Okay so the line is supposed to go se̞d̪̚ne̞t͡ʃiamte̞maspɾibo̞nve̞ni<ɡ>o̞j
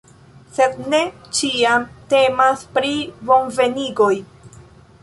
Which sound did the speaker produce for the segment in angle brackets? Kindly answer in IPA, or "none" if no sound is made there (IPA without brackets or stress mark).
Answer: ɡ